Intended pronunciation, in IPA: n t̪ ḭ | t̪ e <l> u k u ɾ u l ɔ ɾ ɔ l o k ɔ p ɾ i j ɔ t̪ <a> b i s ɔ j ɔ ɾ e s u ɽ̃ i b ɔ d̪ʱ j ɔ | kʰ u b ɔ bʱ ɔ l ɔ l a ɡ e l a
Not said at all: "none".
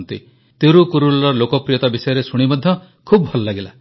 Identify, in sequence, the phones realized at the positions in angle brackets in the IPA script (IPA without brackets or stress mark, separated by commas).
ɾ, a